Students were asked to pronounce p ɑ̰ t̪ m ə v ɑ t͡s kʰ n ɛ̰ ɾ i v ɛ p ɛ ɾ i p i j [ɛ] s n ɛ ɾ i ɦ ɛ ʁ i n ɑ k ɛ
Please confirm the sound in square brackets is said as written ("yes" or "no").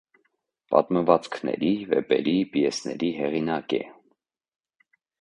yes